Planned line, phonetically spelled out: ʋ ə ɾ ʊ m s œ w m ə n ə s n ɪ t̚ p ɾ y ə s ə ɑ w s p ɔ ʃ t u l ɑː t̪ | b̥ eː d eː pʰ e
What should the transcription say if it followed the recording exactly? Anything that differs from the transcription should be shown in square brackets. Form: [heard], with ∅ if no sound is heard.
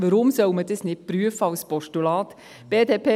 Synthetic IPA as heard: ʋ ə ɾ ʊ m s œ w m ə [d] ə s n ɪ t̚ p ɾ y ə [f] ə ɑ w s p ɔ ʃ t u l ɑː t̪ | b̥ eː d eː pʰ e